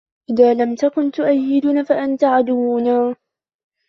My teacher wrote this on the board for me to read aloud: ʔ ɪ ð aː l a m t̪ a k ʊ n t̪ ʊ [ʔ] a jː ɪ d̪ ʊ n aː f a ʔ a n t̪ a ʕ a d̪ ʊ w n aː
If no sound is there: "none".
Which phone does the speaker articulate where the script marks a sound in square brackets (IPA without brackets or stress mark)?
ʔ